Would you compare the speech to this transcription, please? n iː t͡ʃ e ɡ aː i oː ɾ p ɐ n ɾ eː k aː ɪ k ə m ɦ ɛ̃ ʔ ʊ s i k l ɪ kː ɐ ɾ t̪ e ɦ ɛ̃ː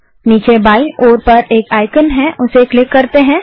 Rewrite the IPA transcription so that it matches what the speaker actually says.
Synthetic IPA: n iː t͡ʃ e b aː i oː ɾ p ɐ ɾ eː k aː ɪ k ə n ɦ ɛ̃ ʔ ʊ s e k l ɪ kː ɐ ɾ t̪ e ɦ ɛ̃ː